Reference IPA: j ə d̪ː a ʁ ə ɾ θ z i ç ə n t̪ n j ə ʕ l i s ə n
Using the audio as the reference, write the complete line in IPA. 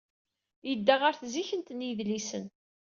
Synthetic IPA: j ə d̪ː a ʁ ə ɾ θ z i ç ə n t̪ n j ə ð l i s ə n